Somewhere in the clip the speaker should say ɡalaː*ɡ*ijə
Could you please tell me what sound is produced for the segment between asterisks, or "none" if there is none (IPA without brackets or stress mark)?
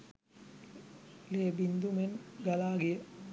ɡ